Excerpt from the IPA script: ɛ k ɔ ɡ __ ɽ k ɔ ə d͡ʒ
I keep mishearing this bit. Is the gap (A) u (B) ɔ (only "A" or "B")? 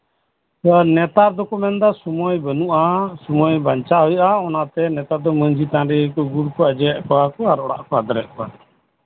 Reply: A